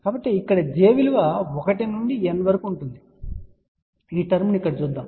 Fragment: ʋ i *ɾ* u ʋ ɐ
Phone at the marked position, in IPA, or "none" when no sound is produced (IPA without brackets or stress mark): l